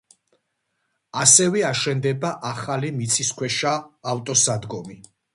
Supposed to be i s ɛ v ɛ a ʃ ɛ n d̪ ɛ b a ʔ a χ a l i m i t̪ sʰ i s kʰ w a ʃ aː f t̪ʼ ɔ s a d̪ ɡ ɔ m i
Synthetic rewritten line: a s ɛ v ɛ a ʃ ɛ n d̪ ɛ b a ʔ a χ a l i m i t̪ sʰ i s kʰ w ɛ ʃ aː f t̪ʼ ɔ s a d̪ ɡ ɔ m i